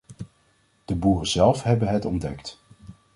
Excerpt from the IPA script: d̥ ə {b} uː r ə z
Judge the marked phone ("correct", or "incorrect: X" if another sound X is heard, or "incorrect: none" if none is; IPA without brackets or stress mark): correct